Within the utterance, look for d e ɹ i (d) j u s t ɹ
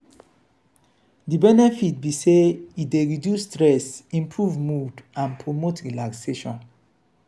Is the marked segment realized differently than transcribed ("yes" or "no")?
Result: no